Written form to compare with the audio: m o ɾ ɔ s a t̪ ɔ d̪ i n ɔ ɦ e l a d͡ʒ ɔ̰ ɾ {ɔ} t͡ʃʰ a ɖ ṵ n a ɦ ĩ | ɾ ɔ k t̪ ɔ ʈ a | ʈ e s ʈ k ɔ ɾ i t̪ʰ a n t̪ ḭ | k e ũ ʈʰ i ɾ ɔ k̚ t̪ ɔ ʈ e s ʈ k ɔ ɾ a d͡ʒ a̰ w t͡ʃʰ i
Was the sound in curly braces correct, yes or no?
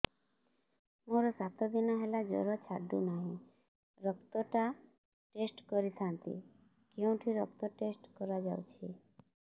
yes